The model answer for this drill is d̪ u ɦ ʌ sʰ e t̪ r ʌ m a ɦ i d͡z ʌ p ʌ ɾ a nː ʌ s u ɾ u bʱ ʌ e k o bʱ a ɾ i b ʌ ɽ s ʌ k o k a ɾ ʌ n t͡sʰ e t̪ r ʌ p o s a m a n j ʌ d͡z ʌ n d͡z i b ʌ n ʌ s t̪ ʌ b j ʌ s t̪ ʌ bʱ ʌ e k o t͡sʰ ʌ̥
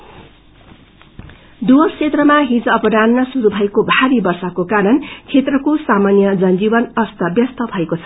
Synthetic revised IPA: d̪ u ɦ ʌ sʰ e t̪ r ʌ m a ɦ i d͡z ʌ p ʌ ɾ a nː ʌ s u ɾ u bʱ ʌ e k o bʱ a ɾ i b ʌ r s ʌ k o k a ɾ ʌ n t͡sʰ e t̪ r ʌ k o s a m a n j ʌ d͡z ʌ n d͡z i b ʌ n ʌ s t̪ ʌ b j ʌ s t̪ ʌ bʱ ʌ e k o t͡sʰ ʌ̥